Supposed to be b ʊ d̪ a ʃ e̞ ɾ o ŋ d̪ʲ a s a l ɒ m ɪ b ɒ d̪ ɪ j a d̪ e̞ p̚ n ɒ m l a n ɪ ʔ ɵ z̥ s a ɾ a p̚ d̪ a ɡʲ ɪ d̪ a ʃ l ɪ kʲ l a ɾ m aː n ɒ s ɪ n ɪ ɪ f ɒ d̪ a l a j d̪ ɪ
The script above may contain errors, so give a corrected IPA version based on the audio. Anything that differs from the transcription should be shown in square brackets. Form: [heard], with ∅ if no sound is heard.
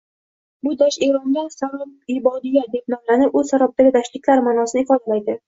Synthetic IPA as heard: b ʊ d̪ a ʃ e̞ ɾ [ɒ] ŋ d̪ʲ a s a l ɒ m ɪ b ɒ d̪ ɪ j a d̪ e̞ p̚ n ɒ m l a n ɪ [p] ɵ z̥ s a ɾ a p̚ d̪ a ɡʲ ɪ d̪ a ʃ l ɪ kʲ l a ɾ m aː n ɒ s ɪ n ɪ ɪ f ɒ d̪ a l a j d̪ ɪ